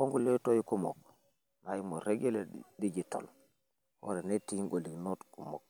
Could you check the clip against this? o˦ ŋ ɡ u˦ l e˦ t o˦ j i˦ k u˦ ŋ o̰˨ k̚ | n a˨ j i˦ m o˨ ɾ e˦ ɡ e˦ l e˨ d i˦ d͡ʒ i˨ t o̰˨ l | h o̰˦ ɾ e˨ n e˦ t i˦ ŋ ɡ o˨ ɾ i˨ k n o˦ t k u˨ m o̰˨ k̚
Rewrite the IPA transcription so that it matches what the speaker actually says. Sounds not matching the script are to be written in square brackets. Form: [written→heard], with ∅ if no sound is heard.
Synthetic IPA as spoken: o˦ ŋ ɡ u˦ l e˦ t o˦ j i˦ k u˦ [ŋ→m] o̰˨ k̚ | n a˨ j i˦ m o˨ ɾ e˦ ɡ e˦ l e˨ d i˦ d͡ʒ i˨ t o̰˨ l | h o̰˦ ɾ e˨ n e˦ t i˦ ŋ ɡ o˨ [ɾ→l] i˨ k n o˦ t k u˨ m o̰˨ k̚